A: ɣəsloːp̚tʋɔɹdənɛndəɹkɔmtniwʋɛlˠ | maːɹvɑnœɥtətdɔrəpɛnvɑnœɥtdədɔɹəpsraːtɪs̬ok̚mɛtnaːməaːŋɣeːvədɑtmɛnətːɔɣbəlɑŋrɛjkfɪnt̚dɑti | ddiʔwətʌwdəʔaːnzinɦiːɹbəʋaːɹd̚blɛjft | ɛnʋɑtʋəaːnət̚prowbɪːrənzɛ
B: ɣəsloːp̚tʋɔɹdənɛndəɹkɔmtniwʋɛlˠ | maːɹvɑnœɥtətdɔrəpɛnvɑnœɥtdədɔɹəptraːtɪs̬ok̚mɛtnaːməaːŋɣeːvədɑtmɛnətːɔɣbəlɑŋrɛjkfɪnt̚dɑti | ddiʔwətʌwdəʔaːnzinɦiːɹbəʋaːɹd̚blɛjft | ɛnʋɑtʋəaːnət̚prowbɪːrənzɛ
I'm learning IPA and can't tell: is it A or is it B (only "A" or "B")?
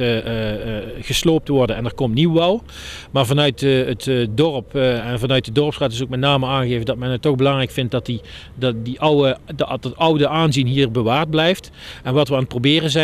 A